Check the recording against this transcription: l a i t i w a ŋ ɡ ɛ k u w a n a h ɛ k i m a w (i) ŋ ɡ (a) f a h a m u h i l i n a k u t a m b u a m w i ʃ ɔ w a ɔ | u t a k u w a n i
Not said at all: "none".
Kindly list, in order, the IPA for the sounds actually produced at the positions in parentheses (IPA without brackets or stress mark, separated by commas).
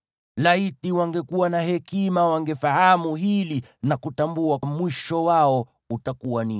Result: a, ɛ